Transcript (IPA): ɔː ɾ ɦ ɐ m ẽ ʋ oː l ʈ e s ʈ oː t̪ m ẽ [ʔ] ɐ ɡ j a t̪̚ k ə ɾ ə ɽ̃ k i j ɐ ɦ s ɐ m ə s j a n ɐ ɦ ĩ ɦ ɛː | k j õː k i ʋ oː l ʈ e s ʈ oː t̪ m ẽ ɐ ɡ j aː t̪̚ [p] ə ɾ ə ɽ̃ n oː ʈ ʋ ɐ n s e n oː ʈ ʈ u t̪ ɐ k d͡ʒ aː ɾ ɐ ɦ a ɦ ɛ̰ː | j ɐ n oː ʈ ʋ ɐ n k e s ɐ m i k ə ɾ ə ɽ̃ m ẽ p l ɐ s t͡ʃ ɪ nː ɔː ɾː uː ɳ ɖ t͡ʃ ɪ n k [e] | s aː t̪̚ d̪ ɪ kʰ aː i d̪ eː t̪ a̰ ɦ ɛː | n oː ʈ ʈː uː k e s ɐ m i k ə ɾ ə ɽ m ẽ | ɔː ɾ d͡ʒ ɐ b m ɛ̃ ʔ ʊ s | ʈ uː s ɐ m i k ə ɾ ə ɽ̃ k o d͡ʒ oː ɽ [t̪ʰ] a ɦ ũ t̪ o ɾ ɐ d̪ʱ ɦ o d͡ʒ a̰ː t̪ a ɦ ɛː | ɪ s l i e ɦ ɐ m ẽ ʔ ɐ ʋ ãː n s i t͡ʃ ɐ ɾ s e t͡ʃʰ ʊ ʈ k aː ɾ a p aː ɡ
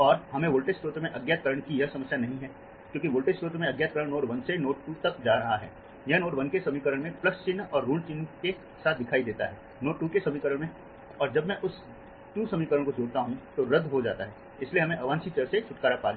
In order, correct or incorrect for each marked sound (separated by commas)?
correct, incorrect, correct, incorrect